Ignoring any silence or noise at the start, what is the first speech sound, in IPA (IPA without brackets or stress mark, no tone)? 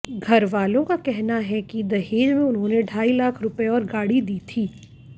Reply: ɡʱ